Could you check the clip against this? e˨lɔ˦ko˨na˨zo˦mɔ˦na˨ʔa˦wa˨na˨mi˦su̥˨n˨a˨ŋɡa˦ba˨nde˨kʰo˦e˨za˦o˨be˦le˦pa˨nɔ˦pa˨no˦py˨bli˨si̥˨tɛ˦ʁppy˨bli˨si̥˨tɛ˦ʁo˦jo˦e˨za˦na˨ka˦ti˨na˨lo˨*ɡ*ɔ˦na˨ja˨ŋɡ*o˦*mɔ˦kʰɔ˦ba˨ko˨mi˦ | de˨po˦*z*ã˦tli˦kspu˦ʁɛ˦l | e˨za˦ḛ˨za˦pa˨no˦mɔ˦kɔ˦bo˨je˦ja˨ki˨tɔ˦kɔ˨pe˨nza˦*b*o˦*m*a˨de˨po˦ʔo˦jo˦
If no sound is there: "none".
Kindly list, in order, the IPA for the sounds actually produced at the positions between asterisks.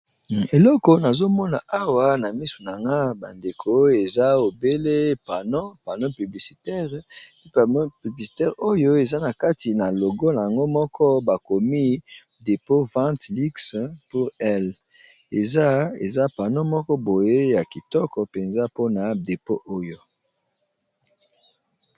ɡ, o˦, v, p, n

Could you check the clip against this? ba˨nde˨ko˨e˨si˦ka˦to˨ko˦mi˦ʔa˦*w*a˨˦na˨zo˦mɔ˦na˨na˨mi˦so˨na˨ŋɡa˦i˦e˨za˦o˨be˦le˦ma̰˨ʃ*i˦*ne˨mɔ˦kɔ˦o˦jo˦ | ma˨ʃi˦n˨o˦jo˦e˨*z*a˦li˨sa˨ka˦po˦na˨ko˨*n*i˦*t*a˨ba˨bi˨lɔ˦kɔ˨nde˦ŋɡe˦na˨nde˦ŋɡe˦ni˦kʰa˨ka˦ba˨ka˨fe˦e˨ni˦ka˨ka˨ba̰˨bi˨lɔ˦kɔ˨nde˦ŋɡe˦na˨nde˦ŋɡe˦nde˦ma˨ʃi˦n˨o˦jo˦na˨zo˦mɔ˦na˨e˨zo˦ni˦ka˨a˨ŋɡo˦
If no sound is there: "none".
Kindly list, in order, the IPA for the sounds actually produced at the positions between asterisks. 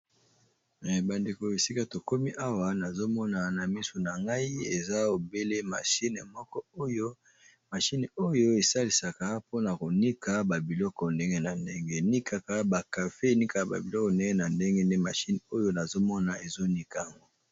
w, i˦, s, n, k

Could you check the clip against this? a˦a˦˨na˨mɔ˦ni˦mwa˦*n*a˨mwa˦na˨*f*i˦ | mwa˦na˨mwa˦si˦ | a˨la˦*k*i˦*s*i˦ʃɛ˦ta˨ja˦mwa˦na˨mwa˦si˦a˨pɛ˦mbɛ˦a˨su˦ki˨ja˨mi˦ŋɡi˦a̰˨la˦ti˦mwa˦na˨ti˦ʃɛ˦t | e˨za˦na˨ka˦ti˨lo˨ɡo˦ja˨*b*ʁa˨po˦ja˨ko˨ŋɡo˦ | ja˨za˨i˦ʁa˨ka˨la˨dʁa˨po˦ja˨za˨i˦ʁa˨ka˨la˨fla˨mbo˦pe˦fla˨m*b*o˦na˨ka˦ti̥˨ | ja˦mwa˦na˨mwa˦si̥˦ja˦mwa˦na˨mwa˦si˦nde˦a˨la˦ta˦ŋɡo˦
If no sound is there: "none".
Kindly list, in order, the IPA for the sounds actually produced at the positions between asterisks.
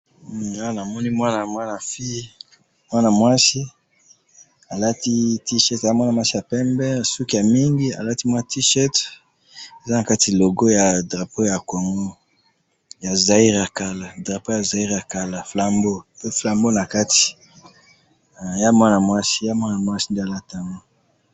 n, f, t, t, d, b

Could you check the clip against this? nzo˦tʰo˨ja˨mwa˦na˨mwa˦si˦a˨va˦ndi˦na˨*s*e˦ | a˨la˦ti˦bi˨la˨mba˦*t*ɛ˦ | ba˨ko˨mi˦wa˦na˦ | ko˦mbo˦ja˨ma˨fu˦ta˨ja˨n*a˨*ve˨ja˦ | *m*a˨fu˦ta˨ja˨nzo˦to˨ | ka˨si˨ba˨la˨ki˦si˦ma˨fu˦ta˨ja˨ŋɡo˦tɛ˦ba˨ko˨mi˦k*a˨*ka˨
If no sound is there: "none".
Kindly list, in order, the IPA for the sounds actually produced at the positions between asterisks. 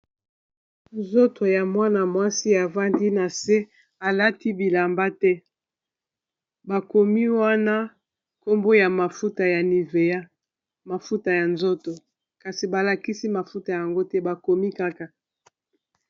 s, t, i˨, m, a˦

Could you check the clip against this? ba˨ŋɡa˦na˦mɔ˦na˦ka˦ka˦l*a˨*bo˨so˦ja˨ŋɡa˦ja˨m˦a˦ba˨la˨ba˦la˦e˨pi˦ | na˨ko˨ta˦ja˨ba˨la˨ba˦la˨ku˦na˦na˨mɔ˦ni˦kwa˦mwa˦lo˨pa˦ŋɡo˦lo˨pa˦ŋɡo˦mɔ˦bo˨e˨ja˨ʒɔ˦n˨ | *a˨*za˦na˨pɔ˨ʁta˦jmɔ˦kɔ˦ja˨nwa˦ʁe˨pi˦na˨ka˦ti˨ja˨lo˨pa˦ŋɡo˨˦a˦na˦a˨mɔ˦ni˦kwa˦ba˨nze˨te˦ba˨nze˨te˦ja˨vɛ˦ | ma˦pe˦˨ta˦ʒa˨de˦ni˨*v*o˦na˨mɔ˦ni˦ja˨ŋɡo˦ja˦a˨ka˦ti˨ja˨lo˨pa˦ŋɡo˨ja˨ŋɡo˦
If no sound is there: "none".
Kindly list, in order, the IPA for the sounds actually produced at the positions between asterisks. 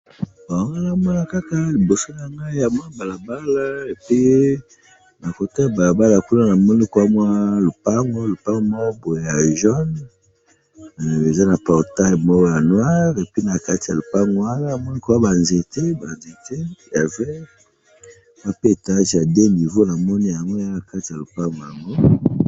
i˨, e˨, v

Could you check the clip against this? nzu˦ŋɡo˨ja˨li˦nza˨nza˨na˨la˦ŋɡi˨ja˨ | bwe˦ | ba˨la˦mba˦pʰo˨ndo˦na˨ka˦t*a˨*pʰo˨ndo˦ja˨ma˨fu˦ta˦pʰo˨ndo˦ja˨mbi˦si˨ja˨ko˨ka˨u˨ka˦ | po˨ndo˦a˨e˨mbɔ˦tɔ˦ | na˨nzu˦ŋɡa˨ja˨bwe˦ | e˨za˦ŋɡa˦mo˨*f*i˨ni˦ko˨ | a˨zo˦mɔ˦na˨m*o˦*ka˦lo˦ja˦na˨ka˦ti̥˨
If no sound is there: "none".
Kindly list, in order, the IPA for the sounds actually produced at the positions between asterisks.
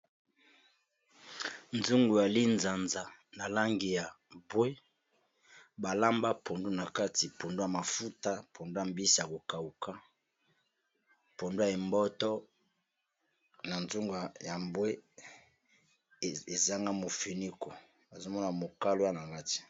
i˨, f, o˨

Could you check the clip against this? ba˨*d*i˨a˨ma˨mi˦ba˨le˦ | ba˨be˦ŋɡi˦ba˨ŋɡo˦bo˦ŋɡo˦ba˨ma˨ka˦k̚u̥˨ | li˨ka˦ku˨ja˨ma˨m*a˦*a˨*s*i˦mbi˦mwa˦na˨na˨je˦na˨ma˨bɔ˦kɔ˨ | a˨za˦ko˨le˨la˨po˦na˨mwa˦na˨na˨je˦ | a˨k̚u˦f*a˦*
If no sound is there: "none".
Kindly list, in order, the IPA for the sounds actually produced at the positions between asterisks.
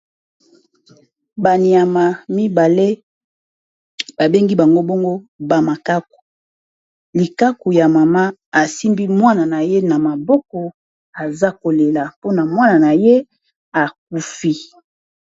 n, a˦, s, i˦

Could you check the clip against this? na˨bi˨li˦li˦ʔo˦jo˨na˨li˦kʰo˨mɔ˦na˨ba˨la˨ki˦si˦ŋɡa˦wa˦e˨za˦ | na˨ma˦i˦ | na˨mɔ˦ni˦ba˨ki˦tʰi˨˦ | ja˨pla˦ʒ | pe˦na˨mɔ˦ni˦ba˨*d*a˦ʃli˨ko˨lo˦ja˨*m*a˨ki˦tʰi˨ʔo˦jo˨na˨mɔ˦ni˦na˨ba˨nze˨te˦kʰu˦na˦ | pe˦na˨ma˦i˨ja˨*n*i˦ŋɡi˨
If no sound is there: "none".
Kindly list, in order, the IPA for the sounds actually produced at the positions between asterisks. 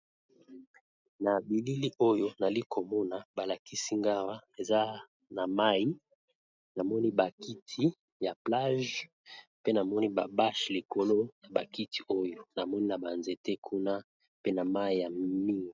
b, b, m

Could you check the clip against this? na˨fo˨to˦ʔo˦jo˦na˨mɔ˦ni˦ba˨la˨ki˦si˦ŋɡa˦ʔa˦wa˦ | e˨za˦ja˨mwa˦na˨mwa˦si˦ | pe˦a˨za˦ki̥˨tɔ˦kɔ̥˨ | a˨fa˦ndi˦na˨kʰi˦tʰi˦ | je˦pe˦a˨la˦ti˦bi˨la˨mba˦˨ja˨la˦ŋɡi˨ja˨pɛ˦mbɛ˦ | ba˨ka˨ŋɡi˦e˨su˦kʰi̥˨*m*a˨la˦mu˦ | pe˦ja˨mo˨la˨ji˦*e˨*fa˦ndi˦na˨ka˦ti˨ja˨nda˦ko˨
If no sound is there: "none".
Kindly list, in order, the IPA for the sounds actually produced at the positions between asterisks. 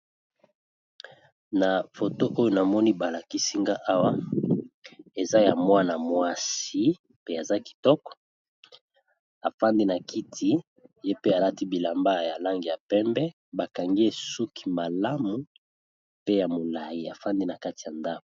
m, a˨

